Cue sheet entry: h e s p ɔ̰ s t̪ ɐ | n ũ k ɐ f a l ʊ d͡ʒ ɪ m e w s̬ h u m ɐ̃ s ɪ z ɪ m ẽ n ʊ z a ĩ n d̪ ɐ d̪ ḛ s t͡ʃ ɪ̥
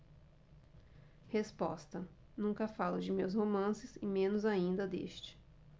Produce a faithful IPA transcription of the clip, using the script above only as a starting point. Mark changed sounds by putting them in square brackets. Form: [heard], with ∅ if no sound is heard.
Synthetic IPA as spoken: h e s p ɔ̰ s t̪ ɐ | n ũ k ɐ f a l ʊ d͡ʒ ɪ m e w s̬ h [o] m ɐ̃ s ɪ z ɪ m ẽ n ʊ z a ĩ n d̪ ɐ d̪ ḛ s t͡ʃ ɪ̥